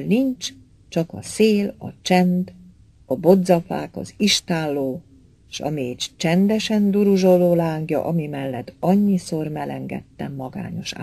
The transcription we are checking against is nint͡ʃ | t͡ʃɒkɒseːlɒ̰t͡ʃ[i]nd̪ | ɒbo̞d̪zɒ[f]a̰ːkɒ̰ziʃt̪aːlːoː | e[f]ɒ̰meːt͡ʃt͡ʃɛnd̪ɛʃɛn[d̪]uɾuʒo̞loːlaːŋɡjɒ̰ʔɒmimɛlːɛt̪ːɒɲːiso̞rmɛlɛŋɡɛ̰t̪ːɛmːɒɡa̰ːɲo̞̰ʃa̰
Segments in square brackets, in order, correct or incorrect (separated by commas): incorrect, correct, incorrect, correct